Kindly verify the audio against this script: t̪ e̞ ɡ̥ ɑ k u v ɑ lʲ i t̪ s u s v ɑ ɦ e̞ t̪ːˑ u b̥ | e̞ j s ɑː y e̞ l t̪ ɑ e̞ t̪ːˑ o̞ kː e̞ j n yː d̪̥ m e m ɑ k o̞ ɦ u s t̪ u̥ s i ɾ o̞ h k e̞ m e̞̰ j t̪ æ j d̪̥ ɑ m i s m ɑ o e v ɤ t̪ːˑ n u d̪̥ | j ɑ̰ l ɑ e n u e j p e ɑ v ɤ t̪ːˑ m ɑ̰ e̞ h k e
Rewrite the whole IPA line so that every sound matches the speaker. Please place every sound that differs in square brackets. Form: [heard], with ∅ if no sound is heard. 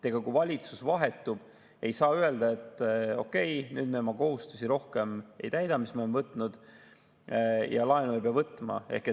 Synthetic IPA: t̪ e̞ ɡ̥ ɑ k u v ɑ lʲ i t̪ s u s v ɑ ɦ e̞ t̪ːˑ u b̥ | e̞ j s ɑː y e̞ l [d̪] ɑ e̞ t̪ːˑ o̞ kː e̞ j n yː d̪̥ m e m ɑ k o̞ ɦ u s t̪ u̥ s i ɾ o̞ h k e̞ m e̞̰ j t̪ æ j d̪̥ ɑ m i s m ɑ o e v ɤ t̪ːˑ n u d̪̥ | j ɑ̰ l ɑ e n u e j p e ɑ v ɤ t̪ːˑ m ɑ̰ e̞ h k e